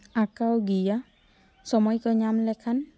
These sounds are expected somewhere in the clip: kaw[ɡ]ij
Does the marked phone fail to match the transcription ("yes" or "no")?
no